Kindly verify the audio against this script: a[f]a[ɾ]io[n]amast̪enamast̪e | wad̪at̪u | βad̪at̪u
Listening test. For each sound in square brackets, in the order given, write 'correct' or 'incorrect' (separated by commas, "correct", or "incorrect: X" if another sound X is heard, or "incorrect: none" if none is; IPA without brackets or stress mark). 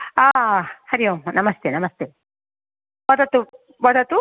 incorrect: h, correct, correct